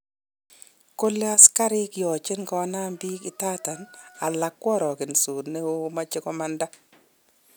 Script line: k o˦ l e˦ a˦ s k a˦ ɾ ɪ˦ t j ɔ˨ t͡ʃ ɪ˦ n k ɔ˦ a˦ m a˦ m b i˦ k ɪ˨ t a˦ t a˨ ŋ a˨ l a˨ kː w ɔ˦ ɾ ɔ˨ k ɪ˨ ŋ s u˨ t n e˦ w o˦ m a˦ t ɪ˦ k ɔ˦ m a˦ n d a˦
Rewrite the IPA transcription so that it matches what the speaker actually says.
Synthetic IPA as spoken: k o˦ l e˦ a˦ s k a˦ ɾ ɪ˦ k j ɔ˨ t͡ʃ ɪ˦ n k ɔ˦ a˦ n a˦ m b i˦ k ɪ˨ t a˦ t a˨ n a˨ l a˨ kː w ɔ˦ ɾ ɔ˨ k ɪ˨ n s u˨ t n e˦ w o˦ m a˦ t͡ʃ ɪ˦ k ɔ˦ m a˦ n d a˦